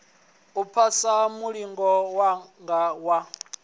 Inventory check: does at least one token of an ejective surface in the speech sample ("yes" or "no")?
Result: no